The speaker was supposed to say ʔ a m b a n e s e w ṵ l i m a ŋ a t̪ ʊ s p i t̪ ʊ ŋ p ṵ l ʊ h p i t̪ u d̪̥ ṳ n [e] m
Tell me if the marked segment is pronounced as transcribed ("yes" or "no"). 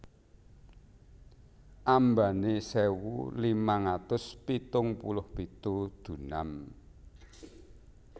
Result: no